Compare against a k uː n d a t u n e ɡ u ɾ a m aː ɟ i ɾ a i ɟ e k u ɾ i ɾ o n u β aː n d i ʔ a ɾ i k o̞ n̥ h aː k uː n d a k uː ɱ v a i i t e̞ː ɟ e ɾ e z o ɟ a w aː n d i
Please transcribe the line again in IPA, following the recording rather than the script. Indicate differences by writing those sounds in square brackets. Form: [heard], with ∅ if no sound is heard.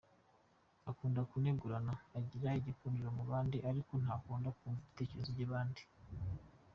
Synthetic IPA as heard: a k uː n d a [k] u n e ɡ u ɾ a [n] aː ɟ i ɾ a i ɟ [i] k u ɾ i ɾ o [m] u β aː n d i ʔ a ɾ i k o̞ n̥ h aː k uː n d a k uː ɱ v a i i t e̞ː [c] e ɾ e z o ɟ a [β] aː n d i